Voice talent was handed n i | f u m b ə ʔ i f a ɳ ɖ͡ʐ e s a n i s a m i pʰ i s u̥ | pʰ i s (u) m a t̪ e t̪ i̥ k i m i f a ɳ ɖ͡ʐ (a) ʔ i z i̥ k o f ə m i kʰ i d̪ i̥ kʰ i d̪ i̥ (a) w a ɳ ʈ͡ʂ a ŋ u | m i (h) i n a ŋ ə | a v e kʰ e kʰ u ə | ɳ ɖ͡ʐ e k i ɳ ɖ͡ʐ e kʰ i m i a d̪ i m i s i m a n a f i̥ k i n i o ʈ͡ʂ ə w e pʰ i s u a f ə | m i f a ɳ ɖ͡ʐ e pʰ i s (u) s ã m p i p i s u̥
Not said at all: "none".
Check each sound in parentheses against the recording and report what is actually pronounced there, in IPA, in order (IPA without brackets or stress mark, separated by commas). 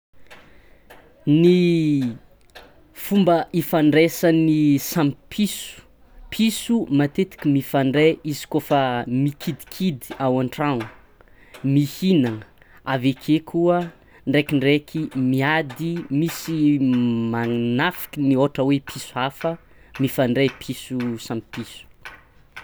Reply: u, e, a, h, u